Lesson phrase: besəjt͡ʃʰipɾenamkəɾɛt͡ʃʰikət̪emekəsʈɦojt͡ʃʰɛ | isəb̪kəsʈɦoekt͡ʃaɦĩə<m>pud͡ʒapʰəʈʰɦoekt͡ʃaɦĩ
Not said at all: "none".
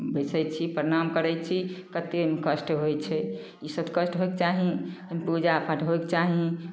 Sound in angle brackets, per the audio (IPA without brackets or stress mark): m